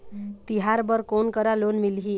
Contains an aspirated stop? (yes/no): no